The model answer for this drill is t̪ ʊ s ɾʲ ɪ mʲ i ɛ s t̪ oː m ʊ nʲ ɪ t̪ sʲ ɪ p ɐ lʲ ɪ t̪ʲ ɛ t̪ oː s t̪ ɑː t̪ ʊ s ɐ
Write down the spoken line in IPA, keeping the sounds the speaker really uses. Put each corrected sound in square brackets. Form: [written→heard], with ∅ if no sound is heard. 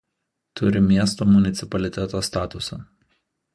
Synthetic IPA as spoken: t̪ ʊ [s→∅] ɾʲ ɪ mʲ i ɛ s t̪ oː m ʊ nʲ ɪ t̪ sʲ ɪ p ɐ lʲ ɪ t̪ʲ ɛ t̪ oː s t̪ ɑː t̪ ʊ s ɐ